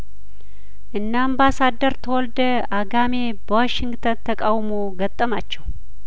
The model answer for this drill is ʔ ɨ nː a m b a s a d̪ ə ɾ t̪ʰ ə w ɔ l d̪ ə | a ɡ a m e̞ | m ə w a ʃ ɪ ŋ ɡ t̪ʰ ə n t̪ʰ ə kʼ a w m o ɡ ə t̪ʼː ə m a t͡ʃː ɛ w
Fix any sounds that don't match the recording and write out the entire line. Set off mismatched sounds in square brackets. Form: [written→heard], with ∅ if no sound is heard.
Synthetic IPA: ʔ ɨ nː a m b a s a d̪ ə ɾ t̪ʰ ə w ɔ l d̪ ə | a ɡ a m e̞ | [m→b] ə w a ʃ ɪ ŋ ɡ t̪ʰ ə n t̪ʰ ə kʼ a w m o ɡ ə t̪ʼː ə m a t͡ʃː ɛ w